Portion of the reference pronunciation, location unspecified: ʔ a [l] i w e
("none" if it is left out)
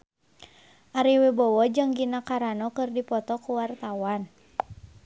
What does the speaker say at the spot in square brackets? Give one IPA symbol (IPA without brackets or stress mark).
ɾ